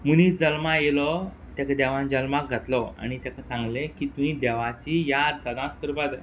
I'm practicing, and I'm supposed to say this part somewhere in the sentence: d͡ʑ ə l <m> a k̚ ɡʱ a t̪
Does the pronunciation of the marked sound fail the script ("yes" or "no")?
no